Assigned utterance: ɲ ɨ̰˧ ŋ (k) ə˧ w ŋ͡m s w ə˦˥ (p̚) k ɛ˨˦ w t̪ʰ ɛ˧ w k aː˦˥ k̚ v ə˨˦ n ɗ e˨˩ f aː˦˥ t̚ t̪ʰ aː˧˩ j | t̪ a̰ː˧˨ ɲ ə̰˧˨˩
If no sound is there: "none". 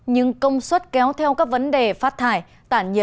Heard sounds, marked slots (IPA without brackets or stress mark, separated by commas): k, t̚